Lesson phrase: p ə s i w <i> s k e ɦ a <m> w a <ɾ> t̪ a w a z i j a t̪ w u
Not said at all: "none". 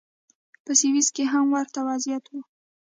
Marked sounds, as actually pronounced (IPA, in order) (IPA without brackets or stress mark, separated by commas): i, m, ɾ